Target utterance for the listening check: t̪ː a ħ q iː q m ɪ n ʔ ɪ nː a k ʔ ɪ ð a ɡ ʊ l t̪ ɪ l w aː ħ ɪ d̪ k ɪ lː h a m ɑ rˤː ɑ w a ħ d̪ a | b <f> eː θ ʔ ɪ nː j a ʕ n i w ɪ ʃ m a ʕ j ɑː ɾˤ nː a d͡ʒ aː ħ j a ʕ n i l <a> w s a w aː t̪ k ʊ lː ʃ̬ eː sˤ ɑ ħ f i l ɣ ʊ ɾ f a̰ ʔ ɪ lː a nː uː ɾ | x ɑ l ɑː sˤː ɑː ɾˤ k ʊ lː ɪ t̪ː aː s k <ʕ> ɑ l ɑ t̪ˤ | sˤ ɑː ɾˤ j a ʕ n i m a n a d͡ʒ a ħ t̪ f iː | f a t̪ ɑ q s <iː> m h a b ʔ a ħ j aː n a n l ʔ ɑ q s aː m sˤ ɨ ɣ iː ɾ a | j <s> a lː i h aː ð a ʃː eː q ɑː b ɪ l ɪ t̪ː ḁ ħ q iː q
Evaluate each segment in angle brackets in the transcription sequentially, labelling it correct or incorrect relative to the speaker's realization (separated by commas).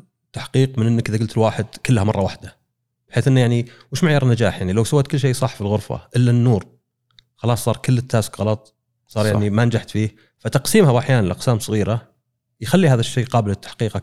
incorrect, correct, incorrect, correct, incorrect